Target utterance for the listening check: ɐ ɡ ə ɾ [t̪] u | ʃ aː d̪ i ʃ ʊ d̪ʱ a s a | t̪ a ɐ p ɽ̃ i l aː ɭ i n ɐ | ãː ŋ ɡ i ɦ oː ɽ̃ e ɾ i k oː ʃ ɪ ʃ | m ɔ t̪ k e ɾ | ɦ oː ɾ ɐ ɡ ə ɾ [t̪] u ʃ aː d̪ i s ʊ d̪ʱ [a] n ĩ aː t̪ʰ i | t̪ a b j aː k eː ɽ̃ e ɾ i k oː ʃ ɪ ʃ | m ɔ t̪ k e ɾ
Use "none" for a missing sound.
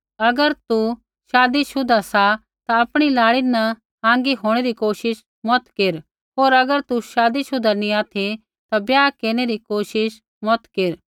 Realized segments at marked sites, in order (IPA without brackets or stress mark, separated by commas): t̪, t̪, a